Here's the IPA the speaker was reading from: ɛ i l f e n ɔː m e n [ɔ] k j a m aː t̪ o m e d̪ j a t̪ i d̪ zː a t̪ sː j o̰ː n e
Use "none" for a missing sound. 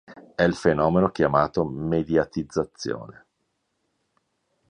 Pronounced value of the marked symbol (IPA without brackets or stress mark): o